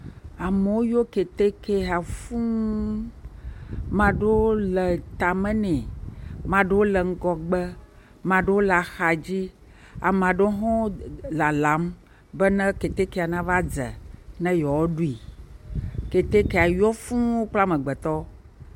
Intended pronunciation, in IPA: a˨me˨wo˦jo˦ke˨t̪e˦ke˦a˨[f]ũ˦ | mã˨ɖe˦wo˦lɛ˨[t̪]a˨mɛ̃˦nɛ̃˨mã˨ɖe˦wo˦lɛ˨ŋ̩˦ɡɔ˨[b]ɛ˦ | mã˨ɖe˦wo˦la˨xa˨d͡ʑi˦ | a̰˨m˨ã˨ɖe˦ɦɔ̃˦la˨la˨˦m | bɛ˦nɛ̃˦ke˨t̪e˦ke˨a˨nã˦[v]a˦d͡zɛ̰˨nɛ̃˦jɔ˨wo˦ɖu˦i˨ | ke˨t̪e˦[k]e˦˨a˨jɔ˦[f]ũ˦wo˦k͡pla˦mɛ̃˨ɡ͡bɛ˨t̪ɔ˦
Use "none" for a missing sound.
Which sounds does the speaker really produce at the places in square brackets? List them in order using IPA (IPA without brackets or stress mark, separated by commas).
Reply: f, t̪, ɡ͡b, v, k, f